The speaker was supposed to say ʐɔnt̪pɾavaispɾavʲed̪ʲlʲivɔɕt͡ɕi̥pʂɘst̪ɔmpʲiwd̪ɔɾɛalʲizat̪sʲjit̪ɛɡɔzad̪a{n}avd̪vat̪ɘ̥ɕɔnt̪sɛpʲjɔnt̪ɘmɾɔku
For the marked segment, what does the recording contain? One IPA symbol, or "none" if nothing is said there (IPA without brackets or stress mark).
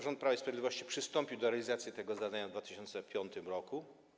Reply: ɲ